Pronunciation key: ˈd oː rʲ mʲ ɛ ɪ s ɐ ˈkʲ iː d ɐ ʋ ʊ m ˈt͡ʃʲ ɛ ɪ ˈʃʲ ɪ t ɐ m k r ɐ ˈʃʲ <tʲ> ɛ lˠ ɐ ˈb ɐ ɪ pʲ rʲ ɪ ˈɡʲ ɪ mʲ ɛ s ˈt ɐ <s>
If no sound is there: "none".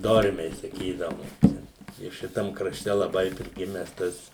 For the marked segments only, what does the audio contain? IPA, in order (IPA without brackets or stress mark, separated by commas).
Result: tʲ, s